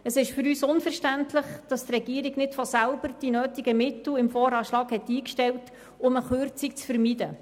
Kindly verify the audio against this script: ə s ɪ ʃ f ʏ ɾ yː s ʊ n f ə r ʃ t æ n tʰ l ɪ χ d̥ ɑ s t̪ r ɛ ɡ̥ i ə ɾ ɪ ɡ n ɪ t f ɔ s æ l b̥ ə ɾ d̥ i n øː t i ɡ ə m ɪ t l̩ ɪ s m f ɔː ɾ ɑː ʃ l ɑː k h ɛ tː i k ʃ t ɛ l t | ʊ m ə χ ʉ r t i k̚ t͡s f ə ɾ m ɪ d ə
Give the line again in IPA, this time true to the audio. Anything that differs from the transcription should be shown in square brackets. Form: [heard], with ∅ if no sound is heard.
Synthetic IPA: ə s ɪ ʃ f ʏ ɾ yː s ʊ n f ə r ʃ t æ n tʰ l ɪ χ d̥ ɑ s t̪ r ɛ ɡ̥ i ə ɾ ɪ ɡ n ɪ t f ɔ s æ l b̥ ə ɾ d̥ i n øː t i ɡ ə m ɪ t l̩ ɪ [∅] m f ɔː ɾ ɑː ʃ l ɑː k h ɛ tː [iː] k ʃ t ɛ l t | ʊ m ə χ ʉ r [t͡s] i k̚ t͡s f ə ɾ m [i] d ə